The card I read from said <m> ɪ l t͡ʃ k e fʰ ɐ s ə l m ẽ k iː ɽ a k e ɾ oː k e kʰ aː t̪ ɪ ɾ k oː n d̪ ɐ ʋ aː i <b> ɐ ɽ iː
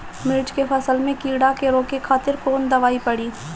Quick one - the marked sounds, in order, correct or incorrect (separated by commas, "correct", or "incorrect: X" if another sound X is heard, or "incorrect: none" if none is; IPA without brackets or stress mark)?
correct, incorrect: p